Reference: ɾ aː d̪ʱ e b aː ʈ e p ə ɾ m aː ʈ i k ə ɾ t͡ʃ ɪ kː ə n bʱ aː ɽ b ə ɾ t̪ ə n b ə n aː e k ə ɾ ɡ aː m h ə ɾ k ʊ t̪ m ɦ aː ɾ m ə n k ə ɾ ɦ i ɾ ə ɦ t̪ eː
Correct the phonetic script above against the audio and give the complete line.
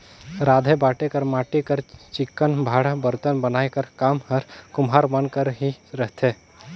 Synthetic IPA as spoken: ɾ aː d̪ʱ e b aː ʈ e k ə ɾ m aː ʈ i k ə ɾ t͡ʃ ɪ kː ə n bʱ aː ɽ b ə ɾ t̪ ə n b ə n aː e k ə ɾ k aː m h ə ɾ k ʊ m ɦ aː ɾ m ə n k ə ɾ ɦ i ɾ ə ɦ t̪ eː